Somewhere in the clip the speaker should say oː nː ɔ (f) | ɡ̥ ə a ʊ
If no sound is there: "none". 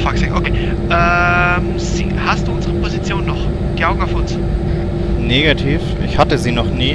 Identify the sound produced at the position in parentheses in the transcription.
χ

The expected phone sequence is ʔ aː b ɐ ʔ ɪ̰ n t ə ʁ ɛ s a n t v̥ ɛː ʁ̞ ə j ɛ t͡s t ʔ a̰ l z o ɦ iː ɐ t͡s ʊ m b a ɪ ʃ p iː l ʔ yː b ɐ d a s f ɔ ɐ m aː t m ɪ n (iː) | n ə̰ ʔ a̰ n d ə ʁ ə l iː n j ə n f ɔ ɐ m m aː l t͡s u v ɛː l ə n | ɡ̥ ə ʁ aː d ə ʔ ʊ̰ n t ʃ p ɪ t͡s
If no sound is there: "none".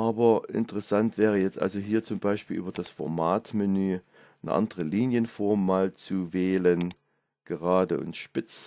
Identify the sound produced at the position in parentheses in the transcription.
yː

